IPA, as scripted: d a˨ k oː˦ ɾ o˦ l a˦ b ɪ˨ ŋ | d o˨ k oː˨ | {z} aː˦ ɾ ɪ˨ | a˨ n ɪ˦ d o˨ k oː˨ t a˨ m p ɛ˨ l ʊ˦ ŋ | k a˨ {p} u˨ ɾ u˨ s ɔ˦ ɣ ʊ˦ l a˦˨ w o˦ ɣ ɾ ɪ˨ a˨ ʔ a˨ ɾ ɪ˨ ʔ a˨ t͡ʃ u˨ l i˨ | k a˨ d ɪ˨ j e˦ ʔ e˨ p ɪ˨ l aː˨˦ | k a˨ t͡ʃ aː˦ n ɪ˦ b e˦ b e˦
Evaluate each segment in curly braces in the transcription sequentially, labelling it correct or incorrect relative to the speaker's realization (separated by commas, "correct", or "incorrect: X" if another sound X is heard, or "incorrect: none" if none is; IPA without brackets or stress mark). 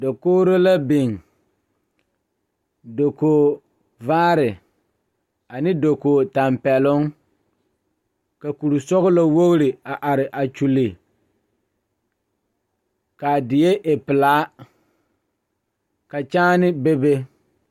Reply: incorrect: v, incorrect: k